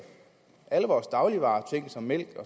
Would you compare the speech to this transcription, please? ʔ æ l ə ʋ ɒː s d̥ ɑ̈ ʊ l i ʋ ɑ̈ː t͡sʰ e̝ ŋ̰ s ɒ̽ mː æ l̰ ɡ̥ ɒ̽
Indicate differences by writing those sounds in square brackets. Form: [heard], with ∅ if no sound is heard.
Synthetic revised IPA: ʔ æ l ə ʋ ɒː s d̥ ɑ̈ ʊ l i ʋ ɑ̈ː t͡sʰ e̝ ŋ̰ s ɒ̽ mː [e] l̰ ɡ̥ ɒ̽